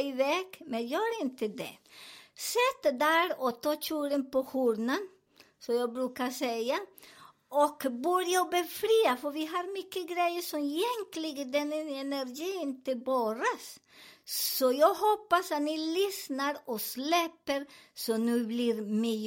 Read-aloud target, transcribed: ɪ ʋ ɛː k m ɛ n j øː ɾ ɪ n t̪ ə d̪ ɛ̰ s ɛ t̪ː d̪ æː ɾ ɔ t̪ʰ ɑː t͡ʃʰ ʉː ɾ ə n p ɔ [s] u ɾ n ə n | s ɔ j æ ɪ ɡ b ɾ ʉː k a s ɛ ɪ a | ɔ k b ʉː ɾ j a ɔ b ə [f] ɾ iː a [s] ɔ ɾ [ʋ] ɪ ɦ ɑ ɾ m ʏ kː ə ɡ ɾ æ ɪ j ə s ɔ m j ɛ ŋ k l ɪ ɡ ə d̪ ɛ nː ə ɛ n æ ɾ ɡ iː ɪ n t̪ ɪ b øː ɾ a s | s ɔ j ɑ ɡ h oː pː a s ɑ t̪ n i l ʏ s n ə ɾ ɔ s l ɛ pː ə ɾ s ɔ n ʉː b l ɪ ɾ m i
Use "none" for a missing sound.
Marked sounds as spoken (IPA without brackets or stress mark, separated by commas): h, f, f, ʋ